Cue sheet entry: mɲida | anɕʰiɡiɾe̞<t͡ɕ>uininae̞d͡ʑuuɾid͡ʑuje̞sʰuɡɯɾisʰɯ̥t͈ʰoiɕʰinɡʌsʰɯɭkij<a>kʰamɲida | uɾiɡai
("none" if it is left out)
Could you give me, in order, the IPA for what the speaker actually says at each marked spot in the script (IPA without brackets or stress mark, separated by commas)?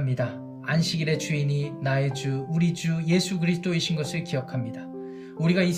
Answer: t͡ɕ, ʌ